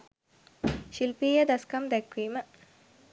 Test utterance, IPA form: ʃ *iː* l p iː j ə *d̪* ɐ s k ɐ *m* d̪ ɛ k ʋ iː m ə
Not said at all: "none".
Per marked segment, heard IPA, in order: i, d̪, m

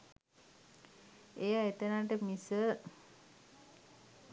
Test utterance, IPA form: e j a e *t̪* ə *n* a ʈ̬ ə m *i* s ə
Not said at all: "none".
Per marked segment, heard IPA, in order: t̪, n, i

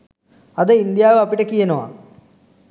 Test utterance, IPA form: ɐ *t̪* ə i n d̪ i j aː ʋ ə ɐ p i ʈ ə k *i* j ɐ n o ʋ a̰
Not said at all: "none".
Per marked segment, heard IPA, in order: d̪, i

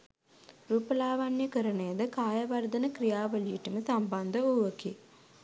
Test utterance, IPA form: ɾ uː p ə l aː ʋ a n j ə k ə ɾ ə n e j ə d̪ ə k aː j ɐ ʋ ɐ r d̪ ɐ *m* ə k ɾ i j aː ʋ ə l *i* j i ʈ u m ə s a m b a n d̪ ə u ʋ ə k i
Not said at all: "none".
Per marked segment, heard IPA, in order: n, i

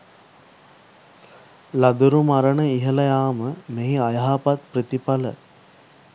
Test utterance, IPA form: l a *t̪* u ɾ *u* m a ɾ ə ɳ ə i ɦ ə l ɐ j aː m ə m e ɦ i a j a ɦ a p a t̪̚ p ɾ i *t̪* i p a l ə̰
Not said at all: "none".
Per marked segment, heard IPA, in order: d̪, u, t̪

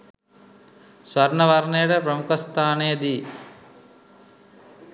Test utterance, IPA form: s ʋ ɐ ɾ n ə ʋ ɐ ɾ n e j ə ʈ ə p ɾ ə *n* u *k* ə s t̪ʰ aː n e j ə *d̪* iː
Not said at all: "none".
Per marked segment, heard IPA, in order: m, k, d̪

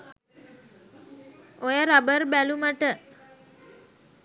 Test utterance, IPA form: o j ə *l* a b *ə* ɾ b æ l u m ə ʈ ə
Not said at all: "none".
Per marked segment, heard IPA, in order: ɾ, ə

